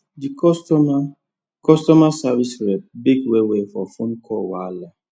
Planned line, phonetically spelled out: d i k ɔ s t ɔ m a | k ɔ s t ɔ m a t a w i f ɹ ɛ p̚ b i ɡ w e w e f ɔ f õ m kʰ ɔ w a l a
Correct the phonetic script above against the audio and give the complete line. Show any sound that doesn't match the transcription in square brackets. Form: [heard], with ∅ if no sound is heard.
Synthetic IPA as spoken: d i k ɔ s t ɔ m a | k ɔ s t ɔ m a [s] a [v] i [s] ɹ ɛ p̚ b i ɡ w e w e f ɔ f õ [n] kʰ ɔ w a l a